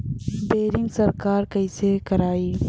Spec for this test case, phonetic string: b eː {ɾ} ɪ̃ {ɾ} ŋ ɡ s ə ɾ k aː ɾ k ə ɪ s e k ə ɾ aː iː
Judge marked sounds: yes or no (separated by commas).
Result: yes, no